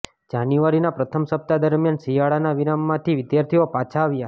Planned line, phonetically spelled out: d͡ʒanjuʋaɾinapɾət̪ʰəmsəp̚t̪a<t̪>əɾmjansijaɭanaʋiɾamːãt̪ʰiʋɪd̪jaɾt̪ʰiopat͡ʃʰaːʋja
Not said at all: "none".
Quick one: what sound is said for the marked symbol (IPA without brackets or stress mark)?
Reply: d̪